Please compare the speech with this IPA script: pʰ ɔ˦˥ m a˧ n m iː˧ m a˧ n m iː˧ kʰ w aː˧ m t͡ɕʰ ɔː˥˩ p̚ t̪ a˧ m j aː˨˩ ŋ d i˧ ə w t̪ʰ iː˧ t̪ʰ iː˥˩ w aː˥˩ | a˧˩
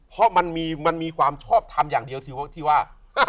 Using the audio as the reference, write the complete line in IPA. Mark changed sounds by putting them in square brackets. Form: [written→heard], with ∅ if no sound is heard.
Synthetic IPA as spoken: pʰ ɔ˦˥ m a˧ n m iː˧ m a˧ n m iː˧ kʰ w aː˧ m t͡ɕʰ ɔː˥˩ p̚ [t̪→t̪ʰ] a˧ m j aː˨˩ ŋ d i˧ ə w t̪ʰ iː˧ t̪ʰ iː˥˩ w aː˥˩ | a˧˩